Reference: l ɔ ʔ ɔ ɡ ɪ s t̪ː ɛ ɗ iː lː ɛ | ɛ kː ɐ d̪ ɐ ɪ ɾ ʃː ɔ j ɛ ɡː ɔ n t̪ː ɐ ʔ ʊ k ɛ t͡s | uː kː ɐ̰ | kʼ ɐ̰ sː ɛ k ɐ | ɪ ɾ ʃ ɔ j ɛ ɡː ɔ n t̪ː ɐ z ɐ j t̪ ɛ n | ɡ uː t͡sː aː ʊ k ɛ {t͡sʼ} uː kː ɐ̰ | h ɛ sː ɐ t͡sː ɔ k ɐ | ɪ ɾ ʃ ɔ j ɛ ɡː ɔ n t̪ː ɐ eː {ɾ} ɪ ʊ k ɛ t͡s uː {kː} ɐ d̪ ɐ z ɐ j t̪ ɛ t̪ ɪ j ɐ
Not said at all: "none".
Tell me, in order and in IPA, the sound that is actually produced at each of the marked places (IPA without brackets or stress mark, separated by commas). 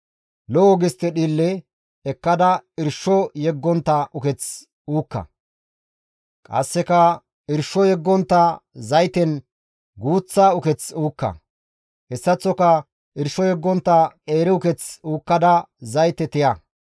t͡s, ɾ, kː